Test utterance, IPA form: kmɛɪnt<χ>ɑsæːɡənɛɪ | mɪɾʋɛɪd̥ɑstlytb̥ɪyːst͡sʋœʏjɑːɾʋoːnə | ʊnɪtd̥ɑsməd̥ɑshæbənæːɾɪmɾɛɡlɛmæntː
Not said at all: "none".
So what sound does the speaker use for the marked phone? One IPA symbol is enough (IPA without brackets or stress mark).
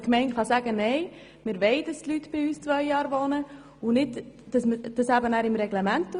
χ